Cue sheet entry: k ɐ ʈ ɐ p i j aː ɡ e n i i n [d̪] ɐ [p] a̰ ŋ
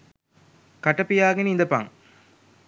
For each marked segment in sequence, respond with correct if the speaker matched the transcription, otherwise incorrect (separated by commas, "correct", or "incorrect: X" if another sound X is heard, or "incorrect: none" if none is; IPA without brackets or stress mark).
correct, correct